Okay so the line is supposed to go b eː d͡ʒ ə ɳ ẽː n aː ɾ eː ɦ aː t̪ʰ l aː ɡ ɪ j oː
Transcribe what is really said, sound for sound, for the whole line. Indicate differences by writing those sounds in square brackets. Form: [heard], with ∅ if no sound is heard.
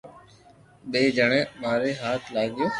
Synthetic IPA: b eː d͡ʒ ə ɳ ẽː [m] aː ɾ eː ɦ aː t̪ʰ l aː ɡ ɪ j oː